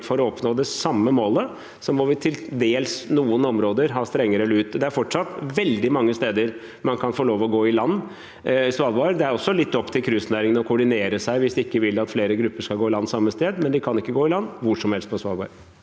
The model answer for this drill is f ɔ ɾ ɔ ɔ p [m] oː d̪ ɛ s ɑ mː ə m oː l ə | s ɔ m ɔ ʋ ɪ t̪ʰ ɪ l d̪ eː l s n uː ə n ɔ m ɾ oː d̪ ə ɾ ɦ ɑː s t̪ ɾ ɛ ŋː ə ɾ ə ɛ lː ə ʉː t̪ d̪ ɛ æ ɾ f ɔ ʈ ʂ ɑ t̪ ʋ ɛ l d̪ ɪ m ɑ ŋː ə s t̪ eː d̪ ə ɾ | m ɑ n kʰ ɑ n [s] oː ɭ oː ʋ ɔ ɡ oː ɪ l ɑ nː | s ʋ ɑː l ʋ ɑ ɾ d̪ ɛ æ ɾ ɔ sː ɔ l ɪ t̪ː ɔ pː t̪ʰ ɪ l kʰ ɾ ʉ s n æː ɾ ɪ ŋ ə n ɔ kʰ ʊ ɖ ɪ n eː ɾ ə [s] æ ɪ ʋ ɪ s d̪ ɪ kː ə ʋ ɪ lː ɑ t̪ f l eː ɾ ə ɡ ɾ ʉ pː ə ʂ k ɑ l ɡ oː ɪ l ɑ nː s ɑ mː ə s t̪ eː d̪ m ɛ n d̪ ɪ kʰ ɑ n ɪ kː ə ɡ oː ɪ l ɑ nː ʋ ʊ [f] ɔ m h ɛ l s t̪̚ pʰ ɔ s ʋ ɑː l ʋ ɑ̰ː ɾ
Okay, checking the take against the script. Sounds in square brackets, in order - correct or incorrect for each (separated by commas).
incorrect, incorrect, correct, incorrect